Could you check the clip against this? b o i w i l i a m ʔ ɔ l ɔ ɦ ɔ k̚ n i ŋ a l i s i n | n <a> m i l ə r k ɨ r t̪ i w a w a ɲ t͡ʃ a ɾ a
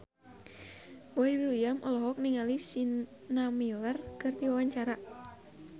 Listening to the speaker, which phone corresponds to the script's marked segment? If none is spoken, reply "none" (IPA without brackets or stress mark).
a